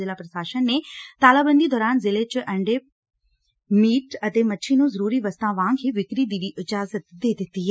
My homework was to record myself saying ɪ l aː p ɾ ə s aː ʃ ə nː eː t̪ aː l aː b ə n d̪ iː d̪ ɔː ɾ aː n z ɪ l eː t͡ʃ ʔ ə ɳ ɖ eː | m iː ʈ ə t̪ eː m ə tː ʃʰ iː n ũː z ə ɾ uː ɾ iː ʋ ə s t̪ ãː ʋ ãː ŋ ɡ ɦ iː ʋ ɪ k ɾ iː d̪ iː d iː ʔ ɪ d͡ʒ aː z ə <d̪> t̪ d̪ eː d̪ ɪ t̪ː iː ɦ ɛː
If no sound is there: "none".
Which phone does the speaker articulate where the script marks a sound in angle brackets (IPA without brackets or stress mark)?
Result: none